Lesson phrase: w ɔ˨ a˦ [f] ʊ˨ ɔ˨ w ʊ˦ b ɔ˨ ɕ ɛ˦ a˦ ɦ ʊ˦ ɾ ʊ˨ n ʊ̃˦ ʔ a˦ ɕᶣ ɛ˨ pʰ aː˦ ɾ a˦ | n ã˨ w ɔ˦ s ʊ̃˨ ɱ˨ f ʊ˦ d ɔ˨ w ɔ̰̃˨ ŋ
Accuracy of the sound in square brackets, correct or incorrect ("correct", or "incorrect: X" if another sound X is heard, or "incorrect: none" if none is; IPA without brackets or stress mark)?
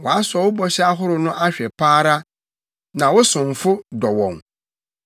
incorrect: s